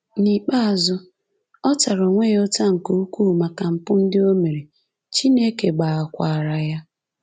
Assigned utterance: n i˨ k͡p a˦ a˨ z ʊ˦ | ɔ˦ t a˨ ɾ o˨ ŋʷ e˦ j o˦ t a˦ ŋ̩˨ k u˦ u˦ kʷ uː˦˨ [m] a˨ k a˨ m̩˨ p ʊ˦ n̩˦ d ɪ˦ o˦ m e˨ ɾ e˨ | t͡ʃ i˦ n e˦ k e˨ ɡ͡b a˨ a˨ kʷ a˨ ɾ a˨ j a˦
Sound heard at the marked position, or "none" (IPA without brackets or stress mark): m